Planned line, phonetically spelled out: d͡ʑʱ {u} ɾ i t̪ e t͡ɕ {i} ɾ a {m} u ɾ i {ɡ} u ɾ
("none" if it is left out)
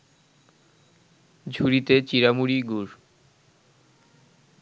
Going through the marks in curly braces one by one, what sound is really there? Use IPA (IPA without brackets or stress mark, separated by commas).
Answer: u, i, m, ɡ